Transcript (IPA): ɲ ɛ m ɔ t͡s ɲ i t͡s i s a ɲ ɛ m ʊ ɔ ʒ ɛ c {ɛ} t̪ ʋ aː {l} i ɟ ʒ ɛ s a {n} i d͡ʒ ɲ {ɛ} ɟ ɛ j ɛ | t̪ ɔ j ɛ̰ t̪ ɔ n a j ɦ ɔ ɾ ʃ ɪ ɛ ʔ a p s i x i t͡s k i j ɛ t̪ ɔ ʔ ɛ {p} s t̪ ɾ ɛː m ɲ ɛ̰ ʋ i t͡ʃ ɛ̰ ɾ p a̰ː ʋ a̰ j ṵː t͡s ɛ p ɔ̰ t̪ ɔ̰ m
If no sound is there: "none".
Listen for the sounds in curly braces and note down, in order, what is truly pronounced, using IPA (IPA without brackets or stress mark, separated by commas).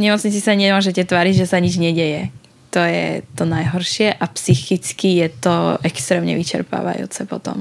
ɛ, ɾ, ɲ, ɛ, k